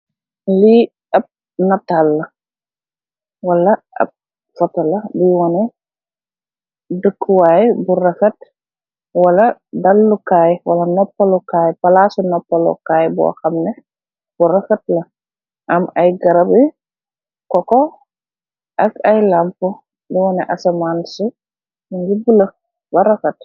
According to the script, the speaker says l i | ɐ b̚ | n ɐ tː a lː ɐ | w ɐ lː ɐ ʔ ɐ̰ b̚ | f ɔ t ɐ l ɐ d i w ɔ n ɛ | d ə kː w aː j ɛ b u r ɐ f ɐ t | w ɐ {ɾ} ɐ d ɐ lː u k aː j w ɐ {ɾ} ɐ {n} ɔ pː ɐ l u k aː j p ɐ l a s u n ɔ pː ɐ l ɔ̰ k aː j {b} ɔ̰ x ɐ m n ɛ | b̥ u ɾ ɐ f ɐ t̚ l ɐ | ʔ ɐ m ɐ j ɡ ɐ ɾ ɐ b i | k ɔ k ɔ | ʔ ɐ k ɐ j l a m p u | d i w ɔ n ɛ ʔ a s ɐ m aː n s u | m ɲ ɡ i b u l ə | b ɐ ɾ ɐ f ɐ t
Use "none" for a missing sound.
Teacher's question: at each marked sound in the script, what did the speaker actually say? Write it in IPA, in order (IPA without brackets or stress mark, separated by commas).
l, l, n, b